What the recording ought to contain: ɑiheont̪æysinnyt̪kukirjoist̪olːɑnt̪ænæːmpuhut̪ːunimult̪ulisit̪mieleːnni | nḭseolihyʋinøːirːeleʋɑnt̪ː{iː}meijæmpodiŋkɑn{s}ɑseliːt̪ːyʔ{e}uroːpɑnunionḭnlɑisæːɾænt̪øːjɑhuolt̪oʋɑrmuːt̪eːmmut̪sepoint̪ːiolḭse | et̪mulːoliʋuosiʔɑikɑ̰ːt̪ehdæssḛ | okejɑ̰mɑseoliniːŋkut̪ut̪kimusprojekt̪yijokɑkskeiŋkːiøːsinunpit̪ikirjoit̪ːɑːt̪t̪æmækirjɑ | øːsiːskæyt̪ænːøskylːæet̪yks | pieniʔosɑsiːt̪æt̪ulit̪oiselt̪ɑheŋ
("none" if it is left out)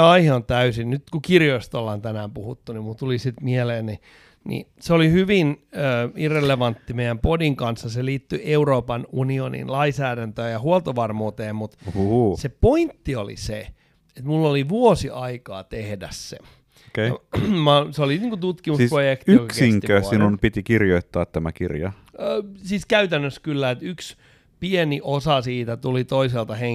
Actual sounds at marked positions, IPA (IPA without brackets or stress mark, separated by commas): i, sː, e